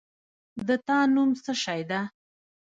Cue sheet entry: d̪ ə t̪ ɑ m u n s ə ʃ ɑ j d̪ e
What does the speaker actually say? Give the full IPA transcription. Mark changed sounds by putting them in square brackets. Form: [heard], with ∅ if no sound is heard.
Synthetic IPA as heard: d̪ ə t̪ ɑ [n] u [m] s ə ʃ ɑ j d̪ [a]

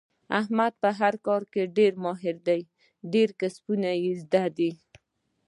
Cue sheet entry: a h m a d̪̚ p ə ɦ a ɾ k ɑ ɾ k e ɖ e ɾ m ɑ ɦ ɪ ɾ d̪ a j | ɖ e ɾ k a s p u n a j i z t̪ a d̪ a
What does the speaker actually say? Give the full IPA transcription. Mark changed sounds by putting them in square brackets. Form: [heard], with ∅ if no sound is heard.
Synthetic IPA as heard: a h m a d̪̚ p ə ɦ a ɾ k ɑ ɾ k e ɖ e ɾ m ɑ ɦ ɪ ɾ d̪ a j | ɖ e ɾ k a s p u n a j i z [d̪] a d̪ [i]

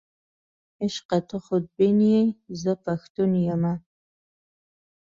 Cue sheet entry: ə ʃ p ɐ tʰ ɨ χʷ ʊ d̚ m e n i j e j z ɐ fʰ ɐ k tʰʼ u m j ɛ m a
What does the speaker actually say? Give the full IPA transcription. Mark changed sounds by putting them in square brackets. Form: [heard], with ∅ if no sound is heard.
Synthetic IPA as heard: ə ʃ [q] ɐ tʰ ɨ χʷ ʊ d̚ [b] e n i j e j z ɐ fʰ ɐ [x] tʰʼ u [n] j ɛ m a

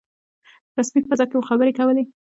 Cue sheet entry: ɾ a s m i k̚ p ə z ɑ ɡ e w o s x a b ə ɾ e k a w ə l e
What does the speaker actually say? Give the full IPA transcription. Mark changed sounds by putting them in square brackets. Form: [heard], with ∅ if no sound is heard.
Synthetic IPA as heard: ɾ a s m i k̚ p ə z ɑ [k] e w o [∅] x a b ə ɾ e k a w ə l e

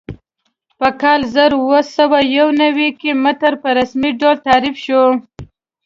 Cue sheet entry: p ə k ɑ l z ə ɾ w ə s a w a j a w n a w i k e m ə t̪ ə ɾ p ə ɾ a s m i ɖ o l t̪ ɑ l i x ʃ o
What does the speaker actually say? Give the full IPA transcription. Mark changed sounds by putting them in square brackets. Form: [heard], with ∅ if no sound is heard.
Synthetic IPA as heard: p ə k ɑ l z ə ɾ w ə s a w a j a w n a w i k e m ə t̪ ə ɾ p ə ɾ a s m i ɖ o l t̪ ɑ [ɾ] i [f] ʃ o

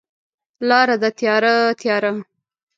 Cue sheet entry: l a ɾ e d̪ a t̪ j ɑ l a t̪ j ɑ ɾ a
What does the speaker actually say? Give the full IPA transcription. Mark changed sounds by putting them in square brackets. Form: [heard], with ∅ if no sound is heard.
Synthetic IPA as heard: l [ɑ] ɾ [a] d̪ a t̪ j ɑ [ɾ] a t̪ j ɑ ɾ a

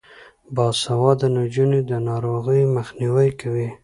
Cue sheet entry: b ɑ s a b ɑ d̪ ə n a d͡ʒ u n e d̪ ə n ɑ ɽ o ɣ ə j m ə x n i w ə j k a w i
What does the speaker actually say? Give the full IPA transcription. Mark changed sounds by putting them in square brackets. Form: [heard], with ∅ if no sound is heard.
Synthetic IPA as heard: b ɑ s a [w] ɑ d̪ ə n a d͡ʒ u n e d̪ ə n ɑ [ɾ] o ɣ ə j m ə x n i w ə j k a w i

